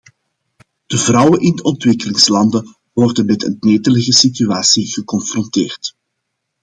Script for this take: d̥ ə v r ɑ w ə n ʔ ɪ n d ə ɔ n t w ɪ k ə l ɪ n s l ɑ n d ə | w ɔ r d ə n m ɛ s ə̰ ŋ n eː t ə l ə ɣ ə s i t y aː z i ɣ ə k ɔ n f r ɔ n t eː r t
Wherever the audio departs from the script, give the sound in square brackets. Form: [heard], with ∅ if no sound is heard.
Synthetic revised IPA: d̥ ə v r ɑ w ə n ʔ ɪ n d ə ɔ n t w ɪ k ə l ɪ [ŋ] s l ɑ n d ə | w ɔ r d ə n m ɛ [t] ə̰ [n] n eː t ə l ə ɣ ə s i t y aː [s] i ɣ ə k ɔ n f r ɔ n t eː r t